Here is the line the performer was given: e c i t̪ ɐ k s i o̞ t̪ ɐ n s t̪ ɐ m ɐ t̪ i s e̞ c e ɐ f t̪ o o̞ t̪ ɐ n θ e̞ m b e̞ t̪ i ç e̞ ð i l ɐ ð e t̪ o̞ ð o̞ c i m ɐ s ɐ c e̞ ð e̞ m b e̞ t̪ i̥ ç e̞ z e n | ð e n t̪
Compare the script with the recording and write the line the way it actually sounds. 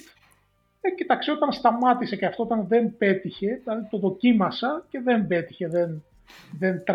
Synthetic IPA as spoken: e c i t̪ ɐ k s i o̞ t̪ ɐ n s t̪ ɐ m ɐ t̪ i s e̞ c e ɐ f t̪ o o̞ t̪ ɐ n ð e̞ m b e̞ t̪ i ç e̞ ð i l ɐ ð i t̪ o̞ ð o̞ c i m ɐ s ɐ c e̞ ð e̞ m b e̞ t̪ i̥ ç e̞ ð e n | ð e n t̪